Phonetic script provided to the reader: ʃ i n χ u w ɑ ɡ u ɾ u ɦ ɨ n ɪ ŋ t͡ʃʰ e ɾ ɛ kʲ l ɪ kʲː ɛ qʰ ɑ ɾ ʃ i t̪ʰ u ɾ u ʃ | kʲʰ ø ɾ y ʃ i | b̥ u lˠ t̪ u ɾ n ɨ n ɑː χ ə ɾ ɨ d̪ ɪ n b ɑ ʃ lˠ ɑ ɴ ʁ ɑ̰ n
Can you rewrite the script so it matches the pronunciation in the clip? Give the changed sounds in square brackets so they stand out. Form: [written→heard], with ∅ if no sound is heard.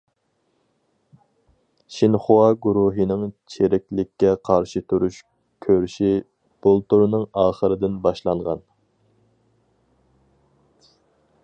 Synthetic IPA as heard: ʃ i n χ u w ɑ ɡ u ɾ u ɦ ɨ n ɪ ŋ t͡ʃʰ e ɾ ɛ kʲ l ɪ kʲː ɛ qʰ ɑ ɾ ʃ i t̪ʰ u ɾ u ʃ | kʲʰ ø ɾ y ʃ i | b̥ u lˠ t̪ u ɾ n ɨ [n→ŋ] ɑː χ ə ɾ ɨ d̪ ɪ n b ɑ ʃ lˠ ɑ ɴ ʁ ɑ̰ n

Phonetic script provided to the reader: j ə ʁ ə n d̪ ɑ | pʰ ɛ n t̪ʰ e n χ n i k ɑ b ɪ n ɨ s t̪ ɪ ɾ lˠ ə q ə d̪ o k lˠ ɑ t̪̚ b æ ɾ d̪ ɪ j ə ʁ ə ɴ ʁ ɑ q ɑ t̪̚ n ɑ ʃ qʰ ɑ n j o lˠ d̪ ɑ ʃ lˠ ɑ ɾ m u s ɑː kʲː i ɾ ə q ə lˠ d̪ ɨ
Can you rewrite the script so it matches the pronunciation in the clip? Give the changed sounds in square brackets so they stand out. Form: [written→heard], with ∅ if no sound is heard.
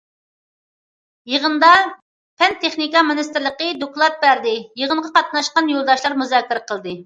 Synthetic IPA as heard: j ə ʁ ə n d̪ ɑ | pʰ ɛ n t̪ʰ e [n→∅] χ n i k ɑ [b→m] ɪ n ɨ s t̪ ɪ ɾ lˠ ə q ə d̪ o k lˠ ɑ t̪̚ b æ ɾ d̪ ɪ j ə ʁ ə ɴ ʁ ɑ q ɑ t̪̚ n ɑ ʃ [qʰ→q] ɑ n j o lˠ d̪ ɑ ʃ lˠ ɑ ɾ m u [s→z] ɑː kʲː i ɾ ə q ə lˠ d̪ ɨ

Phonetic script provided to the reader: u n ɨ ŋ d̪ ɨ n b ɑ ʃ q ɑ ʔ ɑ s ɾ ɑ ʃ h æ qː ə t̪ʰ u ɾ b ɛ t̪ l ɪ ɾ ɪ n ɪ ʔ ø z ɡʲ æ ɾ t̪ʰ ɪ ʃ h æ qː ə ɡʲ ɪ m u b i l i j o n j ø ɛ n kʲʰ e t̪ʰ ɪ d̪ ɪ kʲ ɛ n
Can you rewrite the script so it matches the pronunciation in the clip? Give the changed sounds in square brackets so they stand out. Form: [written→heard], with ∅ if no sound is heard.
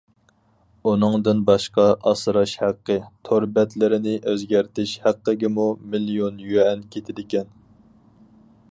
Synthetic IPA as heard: u n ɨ ŋ d̪ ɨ n b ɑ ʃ q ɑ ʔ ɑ s ɾ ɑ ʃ h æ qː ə t̪ʰ [u→o] ɾ b ɛ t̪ l ɪ ɾ ɪ n ɪ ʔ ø z ɡʲ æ ɾ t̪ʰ ɪ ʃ h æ qː ə ɡʲ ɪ m u [b→m] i l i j o n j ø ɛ n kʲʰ e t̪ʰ ɪ d̪ ɪ kʲ ɛ n

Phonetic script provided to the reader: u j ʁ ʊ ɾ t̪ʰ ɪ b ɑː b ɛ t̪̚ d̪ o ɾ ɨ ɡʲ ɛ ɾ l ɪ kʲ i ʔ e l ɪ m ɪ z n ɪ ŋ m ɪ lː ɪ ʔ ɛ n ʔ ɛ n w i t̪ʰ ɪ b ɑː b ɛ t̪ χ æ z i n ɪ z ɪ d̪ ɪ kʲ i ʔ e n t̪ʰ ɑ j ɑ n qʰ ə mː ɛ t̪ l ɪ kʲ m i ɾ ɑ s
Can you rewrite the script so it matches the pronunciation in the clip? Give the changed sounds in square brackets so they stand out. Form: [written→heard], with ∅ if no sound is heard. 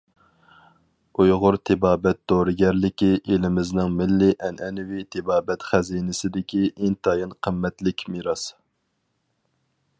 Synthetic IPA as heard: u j ʁ ʊ ɾ t̪ʰ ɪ b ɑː b ɛ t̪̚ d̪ o ɾ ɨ ɡʲ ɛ ɾ l ɪ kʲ i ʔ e l ɪ m ɪ z n ɪ ŋ m ɪ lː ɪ ʔ ɛ n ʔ ɛ n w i t̪ʰ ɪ b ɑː b ɛ t̪ χ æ z i n ɪ [z→s] ɪ d̪ ɪ kʲ i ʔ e n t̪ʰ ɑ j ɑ n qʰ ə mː ɛ t̪ l ɪ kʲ m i ɾ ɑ s

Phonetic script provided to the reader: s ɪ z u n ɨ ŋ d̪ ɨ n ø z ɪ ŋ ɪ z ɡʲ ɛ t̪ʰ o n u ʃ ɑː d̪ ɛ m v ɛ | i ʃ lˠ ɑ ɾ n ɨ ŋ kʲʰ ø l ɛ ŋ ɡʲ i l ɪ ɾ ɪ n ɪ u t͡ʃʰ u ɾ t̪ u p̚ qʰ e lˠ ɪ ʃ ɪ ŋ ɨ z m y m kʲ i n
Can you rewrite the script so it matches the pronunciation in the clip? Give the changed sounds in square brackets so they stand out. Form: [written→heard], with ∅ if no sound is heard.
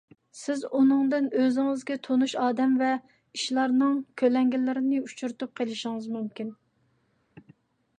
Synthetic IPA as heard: s ɪ z u n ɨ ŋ d̪ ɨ n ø z ɪ ŋ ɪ z ɡʲ ɛ t̪ʰ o n u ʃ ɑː d̪ ɛ m v ɛ | i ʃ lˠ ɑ ɾ n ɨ ŋ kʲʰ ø l ɛ ŋ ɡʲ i l ɪ ɾ ɪ n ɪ u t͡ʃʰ u ɾ t̪ u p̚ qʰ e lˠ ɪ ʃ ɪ ŋ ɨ z m y m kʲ i n

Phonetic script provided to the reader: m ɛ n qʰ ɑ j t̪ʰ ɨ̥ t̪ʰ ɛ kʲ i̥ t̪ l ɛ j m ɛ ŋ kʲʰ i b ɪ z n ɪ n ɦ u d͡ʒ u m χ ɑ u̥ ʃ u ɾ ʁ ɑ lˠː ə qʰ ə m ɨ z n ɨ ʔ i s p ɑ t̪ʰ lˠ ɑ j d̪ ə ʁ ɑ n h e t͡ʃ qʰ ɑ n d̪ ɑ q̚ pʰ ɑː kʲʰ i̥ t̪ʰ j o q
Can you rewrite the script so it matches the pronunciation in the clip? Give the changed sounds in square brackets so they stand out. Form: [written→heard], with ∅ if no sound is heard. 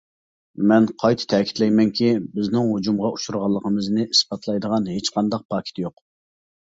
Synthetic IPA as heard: m ɛ n qʰ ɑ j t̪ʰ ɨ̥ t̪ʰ ɛ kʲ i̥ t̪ l ɛ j m ɛ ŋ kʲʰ i b ɪ z n ɪ [n→ŋ] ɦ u d͡ʒ u m [χ→ʁ] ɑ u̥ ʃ u ɾ ʁ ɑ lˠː ə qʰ ə m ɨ z n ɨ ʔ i s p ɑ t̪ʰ lˠ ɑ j d̪ ə ʁ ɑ n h e t͡ʃ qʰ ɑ n d̪ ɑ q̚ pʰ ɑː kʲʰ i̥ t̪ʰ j o q

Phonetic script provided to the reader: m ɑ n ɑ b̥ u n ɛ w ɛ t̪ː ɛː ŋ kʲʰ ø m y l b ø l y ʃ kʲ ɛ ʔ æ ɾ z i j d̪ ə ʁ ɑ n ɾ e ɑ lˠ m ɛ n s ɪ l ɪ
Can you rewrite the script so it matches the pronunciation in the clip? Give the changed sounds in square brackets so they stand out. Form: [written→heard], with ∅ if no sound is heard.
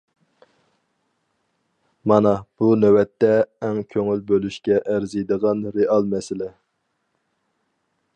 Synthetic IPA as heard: m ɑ n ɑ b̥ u n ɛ w ɛ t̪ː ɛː ŋ kʲʰ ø [m→ŋ] y l b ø l y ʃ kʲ ɛ ʔ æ ɾ z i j d̪ ə ʁ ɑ n ɾ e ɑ lˠ m ɛ [n→∅] s ɪ l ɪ

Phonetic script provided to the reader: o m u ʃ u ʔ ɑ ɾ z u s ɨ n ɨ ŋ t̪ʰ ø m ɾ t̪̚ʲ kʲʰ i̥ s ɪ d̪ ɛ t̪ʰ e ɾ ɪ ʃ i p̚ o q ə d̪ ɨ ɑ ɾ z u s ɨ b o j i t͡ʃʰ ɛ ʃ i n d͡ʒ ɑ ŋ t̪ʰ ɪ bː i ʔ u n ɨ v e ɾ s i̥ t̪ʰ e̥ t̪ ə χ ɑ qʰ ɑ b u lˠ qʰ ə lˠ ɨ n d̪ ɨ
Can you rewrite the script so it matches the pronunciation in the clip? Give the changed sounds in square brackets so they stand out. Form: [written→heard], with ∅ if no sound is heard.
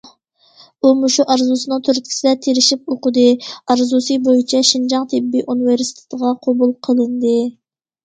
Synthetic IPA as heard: [o→u] m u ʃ u ʔ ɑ ɾ z u s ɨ n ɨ ŋ t̪ʰ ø [m→∅] ɾ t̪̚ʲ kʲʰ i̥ s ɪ d̪ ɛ t̪ʰ e ɾ ɪ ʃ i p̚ o q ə d̪ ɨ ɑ ɾ z u s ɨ b o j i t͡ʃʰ ɛ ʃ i n d͡ʒ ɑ ŋ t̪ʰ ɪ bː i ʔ u n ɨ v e ɾ s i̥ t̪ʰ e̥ t̪ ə [χ→ʁ] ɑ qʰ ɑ b u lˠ qʰ ə lˠ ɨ n d̪ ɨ

